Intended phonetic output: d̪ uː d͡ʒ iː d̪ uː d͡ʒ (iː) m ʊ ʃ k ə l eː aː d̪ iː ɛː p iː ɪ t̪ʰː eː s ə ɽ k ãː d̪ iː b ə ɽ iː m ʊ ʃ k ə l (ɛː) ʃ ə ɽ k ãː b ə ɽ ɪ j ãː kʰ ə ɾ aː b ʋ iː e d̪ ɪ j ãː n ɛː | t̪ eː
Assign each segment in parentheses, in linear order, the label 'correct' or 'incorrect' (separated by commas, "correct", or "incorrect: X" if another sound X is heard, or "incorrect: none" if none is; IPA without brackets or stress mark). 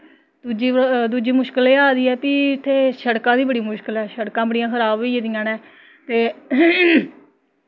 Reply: correct, correct